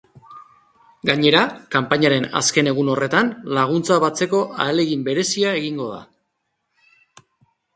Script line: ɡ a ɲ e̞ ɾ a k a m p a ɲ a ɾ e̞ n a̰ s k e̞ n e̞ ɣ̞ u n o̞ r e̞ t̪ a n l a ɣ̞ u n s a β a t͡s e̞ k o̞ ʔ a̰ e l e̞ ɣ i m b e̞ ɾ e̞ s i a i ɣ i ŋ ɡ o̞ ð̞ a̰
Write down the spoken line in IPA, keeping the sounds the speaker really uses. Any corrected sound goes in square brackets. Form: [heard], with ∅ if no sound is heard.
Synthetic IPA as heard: ɡ a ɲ e̞ ɾ a k a m p a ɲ a ɾ e̞ n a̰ s k e̞ n e̞ ɣ̞ u n o̞ r e̞ t̪ a n l a ɣ̞ u n [t͡s] a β a t͡s e̞ k o̞ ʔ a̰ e l e̞ ɣ i m b e̞ ɾ e̞ s i a [e] ɣ i ŋ ɡ o̞ ð̞ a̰